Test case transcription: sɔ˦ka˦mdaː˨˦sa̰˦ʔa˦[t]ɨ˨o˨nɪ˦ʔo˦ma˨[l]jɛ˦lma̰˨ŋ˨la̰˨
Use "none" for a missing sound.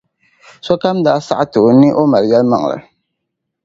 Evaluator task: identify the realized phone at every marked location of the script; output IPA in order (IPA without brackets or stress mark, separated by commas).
t, l